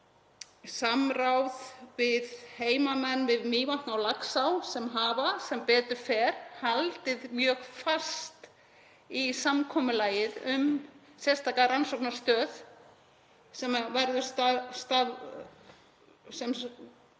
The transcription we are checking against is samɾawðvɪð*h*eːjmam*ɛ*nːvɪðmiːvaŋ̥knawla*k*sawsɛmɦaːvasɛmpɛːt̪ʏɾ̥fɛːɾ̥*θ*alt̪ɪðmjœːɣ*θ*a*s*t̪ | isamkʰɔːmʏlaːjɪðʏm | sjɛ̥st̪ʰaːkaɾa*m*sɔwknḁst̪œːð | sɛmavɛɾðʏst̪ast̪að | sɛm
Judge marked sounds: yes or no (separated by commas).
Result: yes, yes, yes, no, no, yes, no